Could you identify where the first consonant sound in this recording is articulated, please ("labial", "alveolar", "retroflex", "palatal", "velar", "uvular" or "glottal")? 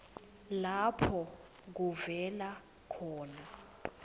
alveolar